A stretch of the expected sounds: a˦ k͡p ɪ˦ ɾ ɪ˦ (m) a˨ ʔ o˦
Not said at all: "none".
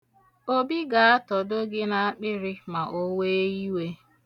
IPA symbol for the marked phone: m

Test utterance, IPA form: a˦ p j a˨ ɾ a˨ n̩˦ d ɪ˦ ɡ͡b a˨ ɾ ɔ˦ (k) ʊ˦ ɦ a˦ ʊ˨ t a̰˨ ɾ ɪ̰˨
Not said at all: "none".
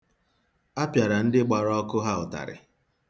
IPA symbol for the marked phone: k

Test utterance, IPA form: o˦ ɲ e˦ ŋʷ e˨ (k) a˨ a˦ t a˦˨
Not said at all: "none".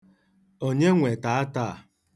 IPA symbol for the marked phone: t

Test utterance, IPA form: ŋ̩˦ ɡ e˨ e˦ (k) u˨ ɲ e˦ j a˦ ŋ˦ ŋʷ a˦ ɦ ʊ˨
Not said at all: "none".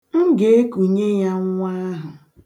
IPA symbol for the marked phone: k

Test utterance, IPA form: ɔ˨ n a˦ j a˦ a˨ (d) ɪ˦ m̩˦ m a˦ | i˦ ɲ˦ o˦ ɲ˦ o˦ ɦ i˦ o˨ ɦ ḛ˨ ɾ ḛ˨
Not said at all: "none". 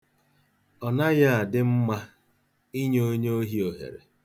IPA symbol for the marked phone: d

